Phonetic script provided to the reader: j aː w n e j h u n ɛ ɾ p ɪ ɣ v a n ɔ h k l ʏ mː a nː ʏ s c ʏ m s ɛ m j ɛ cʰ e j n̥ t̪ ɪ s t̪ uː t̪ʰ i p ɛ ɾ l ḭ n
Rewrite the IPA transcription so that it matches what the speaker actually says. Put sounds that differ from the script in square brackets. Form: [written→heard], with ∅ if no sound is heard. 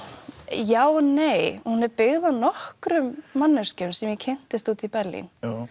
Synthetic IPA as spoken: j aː w n e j h u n ɛ ɾ p ɪ ɣ [v→ð] a n ɔ h k [l→ɾ] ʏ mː a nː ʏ s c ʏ m s ɛ m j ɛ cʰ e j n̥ t̪ ɪ s t̪ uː [t̪ʰ→t̪] i p ɛ ɾ l ḭ n